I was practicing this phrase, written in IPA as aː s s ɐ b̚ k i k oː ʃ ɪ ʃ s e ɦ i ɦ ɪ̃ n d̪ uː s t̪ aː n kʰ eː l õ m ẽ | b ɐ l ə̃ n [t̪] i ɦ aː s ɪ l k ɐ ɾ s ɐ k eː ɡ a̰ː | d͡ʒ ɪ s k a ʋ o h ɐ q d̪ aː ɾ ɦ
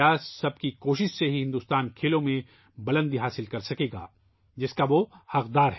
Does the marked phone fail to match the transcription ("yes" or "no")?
yes